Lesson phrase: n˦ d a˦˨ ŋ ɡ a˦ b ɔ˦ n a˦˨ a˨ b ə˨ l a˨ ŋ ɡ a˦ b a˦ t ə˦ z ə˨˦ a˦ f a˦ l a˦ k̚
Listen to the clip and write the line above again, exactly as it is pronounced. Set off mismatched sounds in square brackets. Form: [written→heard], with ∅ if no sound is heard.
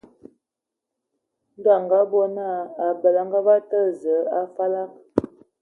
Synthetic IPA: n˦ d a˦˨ ŋ ɡ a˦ b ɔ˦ n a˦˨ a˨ b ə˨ l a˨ ŋ ɡ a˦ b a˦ t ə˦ z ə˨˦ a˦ f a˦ l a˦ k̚